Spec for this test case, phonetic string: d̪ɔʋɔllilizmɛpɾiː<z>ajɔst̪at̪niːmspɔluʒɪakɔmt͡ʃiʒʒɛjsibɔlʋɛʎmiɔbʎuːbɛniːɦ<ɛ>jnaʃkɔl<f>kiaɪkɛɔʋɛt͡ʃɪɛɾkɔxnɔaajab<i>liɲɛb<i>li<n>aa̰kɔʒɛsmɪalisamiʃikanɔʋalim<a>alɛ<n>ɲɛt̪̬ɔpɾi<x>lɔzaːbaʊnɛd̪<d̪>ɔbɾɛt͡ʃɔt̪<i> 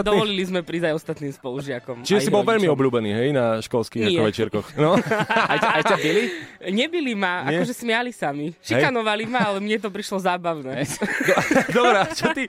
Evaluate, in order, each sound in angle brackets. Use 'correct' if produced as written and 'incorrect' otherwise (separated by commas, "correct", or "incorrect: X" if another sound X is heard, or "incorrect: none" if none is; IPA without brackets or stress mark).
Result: correct, correct, incorrect: s, correct, correct, incorrect: m, correct, incorrect: m, incorrect: ʃ, correct, correct